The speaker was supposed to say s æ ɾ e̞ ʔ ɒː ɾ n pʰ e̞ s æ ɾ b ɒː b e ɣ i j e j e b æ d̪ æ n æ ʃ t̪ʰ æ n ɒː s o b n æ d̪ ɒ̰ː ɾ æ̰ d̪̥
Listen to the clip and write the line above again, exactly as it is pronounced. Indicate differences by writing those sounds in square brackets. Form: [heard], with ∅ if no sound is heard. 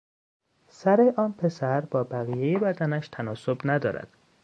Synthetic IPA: s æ ɾ e̞ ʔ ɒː [∅] n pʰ e̞ s æ ɾ b ɒː b [æ] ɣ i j e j e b æ d̪ æ n æ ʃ t̪ʰ æ n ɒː s o b n æ d̪ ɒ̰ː ɾ æ̰ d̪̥